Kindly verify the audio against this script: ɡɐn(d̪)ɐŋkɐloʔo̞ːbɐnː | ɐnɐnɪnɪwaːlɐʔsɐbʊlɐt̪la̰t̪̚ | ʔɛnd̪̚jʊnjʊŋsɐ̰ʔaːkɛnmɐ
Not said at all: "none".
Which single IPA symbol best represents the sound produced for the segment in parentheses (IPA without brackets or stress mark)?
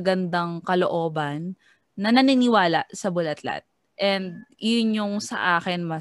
d̪